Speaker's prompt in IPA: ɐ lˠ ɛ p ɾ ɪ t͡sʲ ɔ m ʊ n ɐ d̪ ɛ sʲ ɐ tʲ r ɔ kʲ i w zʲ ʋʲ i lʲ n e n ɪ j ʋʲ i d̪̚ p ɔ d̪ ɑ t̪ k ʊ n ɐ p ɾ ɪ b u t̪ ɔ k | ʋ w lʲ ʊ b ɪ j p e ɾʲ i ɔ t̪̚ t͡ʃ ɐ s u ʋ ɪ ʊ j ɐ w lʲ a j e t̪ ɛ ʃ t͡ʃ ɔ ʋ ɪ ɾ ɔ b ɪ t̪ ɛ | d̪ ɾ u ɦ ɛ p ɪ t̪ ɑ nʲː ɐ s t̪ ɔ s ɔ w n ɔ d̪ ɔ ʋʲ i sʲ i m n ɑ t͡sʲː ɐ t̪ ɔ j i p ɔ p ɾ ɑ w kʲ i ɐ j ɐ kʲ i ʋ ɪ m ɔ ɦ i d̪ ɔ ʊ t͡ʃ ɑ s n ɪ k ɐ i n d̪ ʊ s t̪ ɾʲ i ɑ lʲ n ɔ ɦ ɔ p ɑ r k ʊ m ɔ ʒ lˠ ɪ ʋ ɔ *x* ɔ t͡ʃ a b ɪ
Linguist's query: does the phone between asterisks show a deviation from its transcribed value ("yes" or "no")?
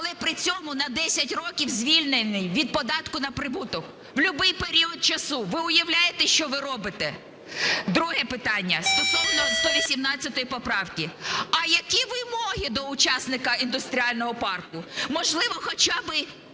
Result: no